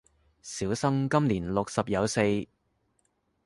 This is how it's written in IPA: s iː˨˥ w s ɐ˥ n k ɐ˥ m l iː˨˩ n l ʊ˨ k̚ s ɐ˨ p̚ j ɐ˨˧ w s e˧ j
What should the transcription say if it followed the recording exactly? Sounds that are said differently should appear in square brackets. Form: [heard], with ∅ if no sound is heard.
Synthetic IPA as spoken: s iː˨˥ w s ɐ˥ [ŋ] k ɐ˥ m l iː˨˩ n l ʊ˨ k̚ s ɐ˨ p̚ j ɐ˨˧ w s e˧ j